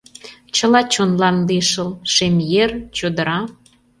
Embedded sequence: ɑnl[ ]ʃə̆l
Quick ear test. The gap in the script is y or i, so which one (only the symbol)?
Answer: i